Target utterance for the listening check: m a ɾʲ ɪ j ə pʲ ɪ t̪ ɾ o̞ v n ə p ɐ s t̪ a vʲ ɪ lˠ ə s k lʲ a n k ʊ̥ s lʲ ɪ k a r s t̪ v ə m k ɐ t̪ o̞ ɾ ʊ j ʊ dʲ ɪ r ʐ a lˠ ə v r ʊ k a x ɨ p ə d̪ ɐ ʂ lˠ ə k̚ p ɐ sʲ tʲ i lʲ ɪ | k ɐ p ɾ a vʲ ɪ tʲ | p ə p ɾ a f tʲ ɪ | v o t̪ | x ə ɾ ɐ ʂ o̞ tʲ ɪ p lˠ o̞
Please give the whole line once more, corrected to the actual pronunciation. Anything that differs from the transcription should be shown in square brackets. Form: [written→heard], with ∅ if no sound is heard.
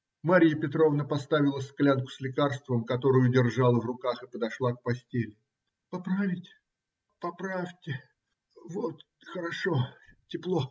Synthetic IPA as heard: m a ɾʲ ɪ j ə pʲ ɪ t̪ ɾ o̞ v n ə p ɐ s t̪ a vʲ ɪ lˠ ə s k lʲ a n k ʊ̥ s lʲ ɪ k a r s t̪ v ə m k ɐ t̪ o̞ ɾ ʊ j ʊ dʲ ɪ r ʐ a lˠ ə v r ʊ k a x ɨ p ə d̪ ɐ ʂ lˠ [ə→a] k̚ p ɐ sʲ tʲ [i→e] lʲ ɪ | [k→p] ɐ p ɾ a vʲ ɪ tʲ | p [ə→ɐ] p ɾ a f tʲ ɪ | v o t̪ | x ə ɾ ɐ ʂ o̞ tʲ ɪ p lˠ o̞